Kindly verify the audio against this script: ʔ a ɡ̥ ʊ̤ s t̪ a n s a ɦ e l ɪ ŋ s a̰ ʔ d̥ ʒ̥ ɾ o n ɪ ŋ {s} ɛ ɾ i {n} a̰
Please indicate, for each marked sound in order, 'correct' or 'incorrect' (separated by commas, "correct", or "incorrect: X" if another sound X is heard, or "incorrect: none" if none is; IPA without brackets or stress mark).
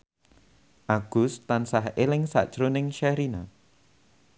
incorrect: ʃ, correct